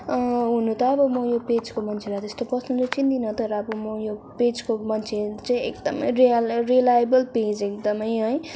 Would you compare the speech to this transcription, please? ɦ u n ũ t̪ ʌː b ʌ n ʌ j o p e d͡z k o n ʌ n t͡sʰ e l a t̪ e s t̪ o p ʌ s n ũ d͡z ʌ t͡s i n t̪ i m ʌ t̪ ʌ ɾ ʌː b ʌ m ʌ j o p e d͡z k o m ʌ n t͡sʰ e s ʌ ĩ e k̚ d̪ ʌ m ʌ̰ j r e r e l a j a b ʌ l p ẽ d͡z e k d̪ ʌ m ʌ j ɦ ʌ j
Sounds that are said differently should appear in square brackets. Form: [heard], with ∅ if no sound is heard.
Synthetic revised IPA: ɦ u n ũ t̪ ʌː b ʌ [m] ʌ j o p e d͡z k o [m] ʌ n t͡sʰ e l a t̪ e s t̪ o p ʌ s n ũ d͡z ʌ t͡s i n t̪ i [n] ʌ t̪ ʌ ɾ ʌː b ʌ m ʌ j o p e d͡z k o m ʌ n t͡sʰ e [t͡s] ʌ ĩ e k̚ d̪ ʌ m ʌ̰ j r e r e l a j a b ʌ l p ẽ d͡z e k d̪ ʌ m ʌ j ɦ ʌ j

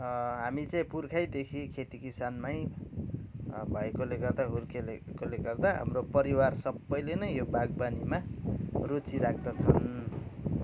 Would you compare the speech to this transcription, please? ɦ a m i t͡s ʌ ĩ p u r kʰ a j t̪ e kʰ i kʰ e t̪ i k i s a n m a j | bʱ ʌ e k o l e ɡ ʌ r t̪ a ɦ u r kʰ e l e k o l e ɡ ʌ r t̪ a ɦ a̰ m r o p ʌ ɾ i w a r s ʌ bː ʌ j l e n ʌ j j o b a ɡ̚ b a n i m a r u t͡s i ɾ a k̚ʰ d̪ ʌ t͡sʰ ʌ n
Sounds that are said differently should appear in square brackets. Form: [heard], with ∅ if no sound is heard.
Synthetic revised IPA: ɦ a m i t͡s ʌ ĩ p u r kʰ a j [d̪] e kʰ i kʰ e t̪ i k i s a n m a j | bʱ ʌ e k o l e ɡ ʌ r [d̪] a ɦ u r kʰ e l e k o l e ɡ ʌ r [d̪] a ɦ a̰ m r o p ʌ ɾ i w a r s ʌ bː ʌ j l e n ʌ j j o b a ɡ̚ b a n i m a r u t͡s i ɾ a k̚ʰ d̪ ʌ t͡sʰ ʌ n

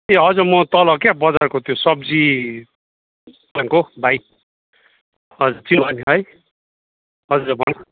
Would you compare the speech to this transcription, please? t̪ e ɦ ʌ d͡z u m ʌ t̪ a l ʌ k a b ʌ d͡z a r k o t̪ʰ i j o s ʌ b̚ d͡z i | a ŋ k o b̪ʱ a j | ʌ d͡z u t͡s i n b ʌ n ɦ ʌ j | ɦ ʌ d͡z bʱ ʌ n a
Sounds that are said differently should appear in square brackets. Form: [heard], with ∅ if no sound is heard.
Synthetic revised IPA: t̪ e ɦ ʌ d͡z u m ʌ t̪ [ʌ] l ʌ k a b ʌ d͡z a r k o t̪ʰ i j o s ʌ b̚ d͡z i | a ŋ k o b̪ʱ a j | ʌ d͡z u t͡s i n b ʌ n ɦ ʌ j | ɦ ʌ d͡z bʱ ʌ n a

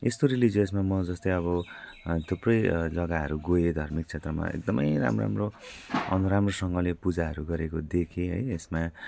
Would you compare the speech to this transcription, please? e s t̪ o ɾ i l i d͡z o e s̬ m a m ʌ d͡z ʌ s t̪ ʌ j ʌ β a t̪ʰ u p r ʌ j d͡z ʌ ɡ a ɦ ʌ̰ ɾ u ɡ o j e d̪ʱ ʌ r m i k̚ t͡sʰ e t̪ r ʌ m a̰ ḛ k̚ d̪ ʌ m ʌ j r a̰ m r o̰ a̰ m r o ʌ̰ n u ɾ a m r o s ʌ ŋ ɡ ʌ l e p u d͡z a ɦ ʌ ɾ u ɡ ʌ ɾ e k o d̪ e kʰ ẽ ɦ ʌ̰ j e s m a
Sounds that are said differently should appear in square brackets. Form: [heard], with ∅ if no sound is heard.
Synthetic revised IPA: e s t̪ o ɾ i l i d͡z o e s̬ m a m ʌ d͡z ʌ s t̪ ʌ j ʌ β [ʌ] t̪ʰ u p r ʌ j d͡z ʌ ɡ a ɦ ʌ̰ ɾ u ɡ o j e d̪ʱ ʌ r m i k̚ t͡sʰ e t̪ r ʌ m a̰ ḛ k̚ d̪ ʌ m ʌ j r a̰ m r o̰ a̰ m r o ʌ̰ n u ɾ a m r o s ʌ ŋ ɡ ʌ l e p u d͡z a ɦ ʌ ɾ u ɡ ʌ ɾ e k o d̪ e kʰ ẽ ɦ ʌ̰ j e s m a

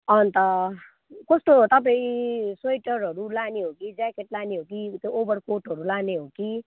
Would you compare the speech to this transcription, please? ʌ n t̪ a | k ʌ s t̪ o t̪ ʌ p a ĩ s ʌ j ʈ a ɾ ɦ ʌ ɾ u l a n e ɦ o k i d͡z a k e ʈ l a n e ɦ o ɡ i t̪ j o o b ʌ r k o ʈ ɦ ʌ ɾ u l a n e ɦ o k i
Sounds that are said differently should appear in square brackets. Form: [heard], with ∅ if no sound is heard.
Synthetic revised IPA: ʌ n t̪ [ʌ] | k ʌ s t̪ o t̪ ʌ p a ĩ s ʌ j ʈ [ʌ] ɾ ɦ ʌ ɾ u l a n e ɦ o k i d͡z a k e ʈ l a n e ɦ o [k] i t̪ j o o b ʌ r k o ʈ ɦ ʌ ɾ u l a n e ɦ o k i

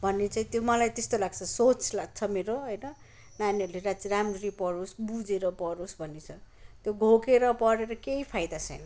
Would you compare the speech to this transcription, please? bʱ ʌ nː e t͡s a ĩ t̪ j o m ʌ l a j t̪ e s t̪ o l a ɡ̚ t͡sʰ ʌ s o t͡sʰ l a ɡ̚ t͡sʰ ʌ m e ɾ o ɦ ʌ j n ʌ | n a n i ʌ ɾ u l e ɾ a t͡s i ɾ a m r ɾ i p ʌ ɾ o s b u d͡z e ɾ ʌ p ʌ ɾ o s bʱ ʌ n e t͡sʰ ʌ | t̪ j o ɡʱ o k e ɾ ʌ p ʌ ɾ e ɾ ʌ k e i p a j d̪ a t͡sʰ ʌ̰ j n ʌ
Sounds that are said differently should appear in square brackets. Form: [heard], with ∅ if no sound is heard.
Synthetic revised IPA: bʱ ʌ nː e t͡s a ĩ t̪ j o m ʌ l a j t̪ e s t̪ o l a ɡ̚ t͡sʰ ʌ s o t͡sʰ l a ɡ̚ t͡sʰ ʌ m e ɾ o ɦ ʌ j n ʌ | n a n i ʌ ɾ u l e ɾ a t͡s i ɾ a m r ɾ i p ʌ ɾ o s b u d͡z e ɾ ʌ p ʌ ɾ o s bʱ ʌ n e t͡sʰ ʌ | t̪ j o ɡʱ o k e ɾ ʌ p ʌ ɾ e ɾ ʌ k e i [pʰ] a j d̪ a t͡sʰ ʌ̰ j n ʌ

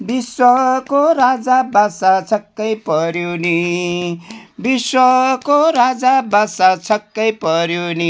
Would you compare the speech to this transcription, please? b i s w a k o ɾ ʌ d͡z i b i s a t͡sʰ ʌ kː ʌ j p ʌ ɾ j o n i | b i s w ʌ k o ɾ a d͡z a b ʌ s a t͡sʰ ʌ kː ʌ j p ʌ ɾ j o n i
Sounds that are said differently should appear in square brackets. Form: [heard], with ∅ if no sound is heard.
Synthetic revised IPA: b i s w [ʌ] k o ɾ [a] d͡z [a] b [a] s a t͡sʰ ʌ kː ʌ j p ʌ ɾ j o n i | b i s w ʌ k o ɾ a d͡z a b [a] s a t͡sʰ ʌ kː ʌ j p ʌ ɾ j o n i

